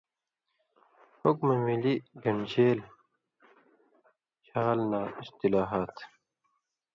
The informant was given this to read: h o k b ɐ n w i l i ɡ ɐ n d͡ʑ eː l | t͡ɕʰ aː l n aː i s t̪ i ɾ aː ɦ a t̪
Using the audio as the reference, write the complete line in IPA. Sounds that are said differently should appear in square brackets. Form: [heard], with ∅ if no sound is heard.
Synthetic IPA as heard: h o k [m] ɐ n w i l i ɡ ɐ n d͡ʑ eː l | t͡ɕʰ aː l n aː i s t̪ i [l] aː ɦ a t̪